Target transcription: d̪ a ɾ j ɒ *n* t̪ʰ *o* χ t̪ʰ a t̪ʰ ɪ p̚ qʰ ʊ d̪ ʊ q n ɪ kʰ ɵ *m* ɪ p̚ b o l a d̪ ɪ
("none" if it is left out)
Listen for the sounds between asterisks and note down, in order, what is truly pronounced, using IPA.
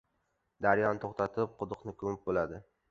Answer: n, o, m

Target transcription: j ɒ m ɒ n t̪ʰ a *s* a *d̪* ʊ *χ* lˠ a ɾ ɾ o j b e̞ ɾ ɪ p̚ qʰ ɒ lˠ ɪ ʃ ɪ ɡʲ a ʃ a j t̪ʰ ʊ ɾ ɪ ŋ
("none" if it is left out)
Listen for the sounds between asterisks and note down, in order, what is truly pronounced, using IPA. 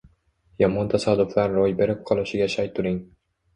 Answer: s, d̪, f

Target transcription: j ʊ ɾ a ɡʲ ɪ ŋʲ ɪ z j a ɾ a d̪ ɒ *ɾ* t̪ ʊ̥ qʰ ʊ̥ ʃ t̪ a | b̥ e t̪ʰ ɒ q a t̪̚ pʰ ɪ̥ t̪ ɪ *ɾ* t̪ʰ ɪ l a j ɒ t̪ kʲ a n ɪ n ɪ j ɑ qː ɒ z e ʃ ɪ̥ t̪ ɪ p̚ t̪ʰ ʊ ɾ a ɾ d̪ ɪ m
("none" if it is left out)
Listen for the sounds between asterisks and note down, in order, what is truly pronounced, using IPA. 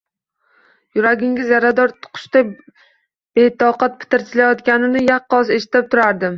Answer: ɾ, ɾ

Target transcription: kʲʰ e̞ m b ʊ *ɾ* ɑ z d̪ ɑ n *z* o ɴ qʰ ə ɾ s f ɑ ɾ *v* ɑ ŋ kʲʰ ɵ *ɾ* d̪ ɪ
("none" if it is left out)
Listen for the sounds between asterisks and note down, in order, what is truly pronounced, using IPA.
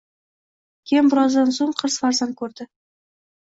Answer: ɾ, s, z, ɾ

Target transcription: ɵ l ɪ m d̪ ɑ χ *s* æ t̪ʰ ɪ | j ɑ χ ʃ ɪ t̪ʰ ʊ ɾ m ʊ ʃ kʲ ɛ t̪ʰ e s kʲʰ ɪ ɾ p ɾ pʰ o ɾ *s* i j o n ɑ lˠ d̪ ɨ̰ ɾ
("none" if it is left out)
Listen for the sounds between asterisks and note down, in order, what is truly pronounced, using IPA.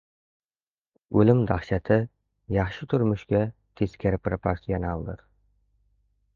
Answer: ʃ, s

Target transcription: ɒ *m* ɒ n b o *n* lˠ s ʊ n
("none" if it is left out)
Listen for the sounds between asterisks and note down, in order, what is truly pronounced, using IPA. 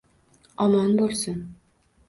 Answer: m, none

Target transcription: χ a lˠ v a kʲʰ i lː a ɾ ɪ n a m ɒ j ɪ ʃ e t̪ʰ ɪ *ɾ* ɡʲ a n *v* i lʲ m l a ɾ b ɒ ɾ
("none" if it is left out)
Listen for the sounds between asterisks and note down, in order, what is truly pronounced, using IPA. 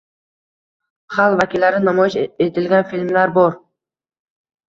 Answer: l, f

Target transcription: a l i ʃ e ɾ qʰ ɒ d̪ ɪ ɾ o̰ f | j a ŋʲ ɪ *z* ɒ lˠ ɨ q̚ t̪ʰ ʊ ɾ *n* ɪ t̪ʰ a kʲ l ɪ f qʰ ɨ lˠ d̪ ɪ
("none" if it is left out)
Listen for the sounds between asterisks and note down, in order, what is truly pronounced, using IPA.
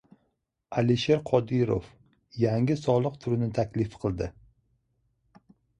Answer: s, n

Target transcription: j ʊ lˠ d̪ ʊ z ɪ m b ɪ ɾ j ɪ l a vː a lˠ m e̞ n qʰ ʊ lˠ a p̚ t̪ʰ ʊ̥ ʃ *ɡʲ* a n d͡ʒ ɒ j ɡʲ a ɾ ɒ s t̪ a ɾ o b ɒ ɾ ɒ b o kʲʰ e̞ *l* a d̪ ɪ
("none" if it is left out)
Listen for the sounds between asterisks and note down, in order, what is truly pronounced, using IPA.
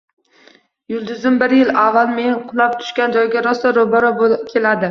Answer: kʲ, l

